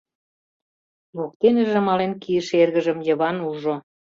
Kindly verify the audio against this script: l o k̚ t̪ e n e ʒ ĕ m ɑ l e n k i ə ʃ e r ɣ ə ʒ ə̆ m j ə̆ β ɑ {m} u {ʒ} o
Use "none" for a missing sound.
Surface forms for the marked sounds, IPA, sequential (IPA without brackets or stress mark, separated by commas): n, ʒ